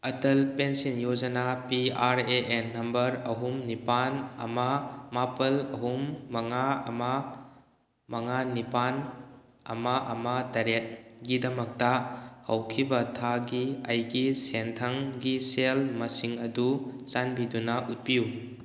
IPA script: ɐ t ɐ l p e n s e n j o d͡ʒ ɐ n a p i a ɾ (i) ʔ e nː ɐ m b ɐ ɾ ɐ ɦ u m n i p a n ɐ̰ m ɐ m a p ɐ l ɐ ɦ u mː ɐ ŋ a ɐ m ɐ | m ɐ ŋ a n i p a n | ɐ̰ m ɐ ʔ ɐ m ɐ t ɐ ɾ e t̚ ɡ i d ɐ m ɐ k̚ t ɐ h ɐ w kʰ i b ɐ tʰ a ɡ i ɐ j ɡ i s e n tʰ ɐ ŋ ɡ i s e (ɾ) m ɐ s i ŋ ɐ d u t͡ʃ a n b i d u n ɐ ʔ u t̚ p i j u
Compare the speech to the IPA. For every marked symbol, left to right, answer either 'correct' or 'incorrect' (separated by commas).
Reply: incorrect, incorrect